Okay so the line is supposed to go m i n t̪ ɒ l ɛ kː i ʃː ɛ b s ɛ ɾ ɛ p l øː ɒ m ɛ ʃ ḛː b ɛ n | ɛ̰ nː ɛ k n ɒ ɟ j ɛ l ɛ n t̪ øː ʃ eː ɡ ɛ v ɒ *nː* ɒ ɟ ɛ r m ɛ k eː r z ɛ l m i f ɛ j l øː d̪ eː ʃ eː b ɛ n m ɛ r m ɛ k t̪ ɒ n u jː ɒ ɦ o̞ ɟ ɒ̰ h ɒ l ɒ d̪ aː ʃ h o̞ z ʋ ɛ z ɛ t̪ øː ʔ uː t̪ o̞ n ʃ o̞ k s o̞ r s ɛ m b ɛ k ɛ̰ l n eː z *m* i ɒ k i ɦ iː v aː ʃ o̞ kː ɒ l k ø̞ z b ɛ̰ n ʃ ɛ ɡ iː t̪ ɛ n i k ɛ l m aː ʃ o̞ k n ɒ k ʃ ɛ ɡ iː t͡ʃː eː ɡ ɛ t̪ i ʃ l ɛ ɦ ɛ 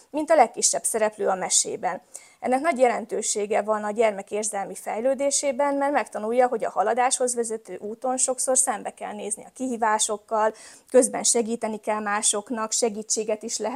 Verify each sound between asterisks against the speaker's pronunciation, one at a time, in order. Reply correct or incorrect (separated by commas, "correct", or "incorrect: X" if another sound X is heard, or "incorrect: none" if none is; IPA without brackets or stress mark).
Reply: incorrect: n, incorrect: n